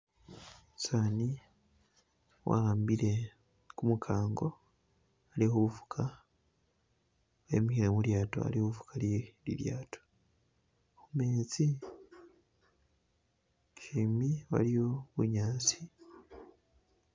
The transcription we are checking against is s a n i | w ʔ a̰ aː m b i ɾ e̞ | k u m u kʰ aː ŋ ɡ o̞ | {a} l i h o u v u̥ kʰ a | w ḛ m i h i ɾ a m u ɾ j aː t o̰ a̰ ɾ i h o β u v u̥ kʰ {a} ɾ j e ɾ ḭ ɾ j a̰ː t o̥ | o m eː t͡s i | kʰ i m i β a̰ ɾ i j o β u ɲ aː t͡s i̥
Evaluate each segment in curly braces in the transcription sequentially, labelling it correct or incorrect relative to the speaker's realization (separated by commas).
correct, correct